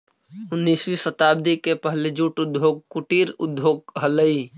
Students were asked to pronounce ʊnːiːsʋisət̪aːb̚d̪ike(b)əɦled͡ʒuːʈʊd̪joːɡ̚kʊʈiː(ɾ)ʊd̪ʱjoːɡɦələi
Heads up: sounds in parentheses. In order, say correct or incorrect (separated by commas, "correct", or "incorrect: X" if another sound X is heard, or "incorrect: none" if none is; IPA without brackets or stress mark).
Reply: incorrect: p, correct